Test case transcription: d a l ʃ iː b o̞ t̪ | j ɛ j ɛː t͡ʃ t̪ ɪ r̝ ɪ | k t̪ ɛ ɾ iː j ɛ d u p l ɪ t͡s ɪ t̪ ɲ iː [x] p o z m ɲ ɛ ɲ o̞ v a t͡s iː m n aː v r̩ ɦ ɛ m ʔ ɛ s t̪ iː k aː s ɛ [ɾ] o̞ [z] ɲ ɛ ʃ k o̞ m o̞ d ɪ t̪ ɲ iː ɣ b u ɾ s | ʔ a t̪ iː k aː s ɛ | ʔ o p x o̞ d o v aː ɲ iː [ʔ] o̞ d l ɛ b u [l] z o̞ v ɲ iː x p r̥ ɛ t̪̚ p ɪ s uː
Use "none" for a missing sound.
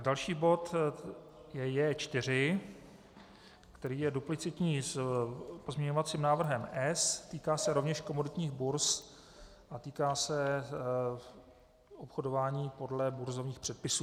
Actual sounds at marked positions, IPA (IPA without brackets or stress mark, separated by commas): s, ɾ, v, p, ɾ